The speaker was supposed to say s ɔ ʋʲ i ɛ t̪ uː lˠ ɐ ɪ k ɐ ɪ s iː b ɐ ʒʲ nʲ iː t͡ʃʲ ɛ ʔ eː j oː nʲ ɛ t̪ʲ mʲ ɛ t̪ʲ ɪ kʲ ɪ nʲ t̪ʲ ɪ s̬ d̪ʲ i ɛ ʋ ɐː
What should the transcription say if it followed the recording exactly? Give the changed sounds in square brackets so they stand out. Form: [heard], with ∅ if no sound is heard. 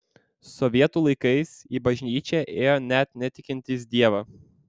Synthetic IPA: s ɔ ʋʲ i ɛ t̪ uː lˠ ɐ ɪ k ɐ ɪ s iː b ɐ ʒʲ nʲ iː t͡ʃʲ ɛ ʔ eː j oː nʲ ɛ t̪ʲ [nʲ] ɛ t̪ʲ ɪ kʲ ɪ nʲ t̪ʲ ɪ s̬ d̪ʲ i ɛ ʋ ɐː